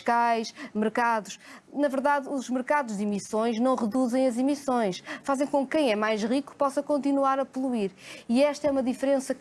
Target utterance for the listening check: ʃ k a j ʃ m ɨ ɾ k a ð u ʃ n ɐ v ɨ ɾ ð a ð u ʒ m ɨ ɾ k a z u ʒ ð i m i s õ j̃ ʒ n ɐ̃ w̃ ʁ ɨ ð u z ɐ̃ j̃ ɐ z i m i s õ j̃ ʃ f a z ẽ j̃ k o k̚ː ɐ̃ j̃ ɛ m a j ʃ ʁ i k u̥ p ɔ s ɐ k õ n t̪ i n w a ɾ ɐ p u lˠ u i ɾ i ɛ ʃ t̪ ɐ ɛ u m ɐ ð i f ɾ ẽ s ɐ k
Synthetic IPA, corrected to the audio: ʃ k a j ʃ m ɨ ɾ k a ð u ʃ n ɐ v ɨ ɾ ð a ð u ʒ m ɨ ɾ k a ð u ʒ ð i m i s õ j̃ ʒ n ɐ̃ w̃ ʁ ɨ ð u z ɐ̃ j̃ ɐ z i m i s õ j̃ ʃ f a z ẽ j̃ k õ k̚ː ɐ̃ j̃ ɛ m a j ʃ ʁ i k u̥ p ɔ s ɐ k õ n t̪ i n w a ɾ ɐ p u lˠ u i ɾ i ɛ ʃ t̪ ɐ ɛ u m ɐ ð i f ɾ ẽ s ɐ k